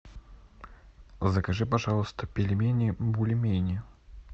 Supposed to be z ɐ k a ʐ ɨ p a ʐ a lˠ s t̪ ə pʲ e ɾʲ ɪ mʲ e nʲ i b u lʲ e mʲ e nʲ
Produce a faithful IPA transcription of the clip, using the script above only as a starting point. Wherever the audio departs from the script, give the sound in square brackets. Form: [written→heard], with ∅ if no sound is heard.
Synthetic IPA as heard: z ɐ k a ʐ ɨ p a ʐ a lˠ s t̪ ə pʲ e [ɾʲ→lʲ] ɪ mʲ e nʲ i b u lʲ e mʲ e nʲ